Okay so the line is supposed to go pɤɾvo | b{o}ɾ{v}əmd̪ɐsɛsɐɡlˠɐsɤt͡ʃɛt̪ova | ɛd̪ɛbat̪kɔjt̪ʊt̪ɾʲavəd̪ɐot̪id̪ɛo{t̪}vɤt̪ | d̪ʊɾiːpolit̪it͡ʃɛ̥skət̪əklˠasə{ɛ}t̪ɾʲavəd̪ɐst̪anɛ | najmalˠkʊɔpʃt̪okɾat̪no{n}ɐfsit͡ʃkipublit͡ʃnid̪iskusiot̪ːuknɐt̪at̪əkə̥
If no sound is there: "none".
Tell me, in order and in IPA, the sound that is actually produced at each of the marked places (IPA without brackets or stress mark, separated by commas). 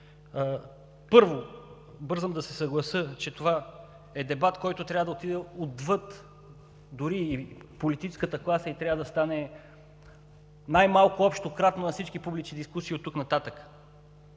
ɤ, z, d̪, i, n